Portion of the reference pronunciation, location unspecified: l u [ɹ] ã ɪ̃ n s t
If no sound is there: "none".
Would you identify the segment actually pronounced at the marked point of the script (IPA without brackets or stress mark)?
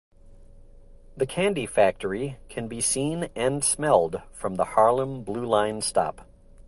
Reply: l